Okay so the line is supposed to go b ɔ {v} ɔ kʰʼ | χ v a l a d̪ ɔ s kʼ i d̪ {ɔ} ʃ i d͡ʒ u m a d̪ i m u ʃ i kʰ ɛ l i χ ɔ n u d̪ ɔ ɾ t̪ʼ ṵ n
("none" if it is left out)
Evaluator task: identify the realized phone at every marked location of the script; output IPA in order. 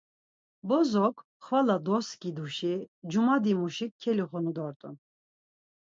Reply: z, u

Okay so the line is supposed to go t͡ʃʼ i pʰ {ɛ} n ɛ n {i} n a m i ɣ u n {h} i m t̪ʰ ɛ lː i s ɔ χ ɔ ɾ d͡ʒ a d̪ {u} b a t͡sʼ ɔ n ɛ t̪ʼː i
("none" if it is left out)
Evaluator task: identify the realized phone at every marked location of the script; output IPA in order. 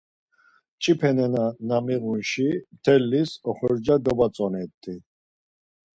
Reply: ɛ, a, ʃ, ɔ

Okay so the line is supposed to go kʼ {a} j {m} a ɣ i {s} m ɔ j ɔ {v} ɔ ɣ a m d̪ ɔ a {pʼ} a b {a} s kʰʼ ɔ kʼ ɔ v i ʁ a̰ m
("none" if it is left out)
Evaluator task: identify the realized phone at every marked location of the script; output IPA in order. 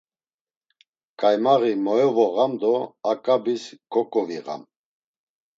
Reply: a, m, none, v, kʼ, i

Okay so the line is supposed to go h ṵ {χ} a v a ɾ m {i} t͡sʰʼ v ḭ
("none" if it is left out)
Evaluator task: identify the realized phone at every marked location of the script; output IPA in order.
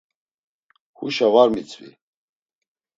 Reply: ʃ, i

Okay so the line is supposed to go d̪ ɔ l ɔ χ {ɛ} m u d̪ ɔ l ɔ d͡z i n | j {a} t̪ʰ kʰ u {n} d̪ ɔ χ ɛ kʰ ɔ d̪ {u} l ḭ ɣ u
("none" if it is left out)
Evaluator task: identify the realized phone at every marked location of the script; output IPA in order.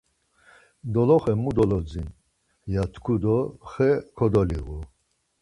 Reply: ɛ, a, none, ɔ

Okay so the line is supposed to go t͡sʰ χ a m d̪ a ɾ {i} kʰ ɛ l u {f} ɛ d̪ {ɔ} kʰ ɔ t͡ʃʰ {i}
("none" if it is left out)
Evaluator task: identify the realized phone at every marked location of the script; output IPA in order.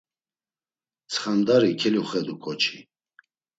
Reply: i, χ, u, i

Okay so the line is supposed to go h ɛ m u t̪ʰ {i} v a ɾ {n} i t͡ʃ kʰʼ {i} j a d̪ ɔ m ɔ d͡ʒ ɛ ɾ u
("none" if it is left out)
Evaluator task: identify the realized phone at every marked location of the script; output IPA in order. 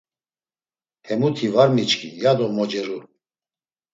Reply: i, m, i

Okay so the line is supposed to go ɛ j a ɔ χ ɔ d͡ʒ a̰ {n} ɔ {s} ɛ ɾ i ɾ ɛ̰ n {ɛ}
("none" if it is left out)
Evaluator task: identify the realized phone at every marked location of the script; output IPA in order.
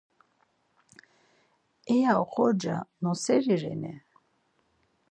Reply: n, s, ɛ

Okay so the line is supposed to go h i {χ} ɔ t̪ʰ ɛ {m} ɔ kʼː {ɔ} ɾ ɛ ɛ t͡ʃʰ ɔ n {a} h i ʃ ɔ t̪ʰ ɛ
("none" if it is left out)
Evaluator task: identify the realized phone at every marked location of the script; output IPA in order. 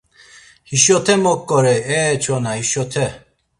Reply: ʃ, m, ɔ, a

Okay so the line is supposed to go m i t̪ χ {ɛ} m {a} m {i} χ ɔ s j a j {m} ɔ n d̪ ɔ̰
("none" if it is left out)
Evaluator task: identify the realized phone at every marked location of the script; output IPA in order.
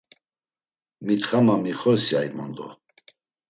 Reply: a, a, i, m

